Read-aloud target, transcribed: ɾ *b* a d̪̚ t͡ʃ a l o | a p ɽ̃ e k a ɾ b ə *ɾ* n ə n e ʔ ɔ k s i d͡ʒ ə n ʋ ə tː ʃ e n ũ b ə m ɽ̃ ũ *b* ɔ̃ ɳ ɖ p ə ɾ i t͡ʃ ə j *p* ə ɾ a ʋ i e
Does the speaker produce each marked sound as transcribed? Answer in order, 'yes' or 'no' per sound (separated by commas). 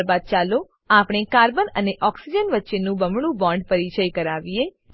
yes, no, yes, no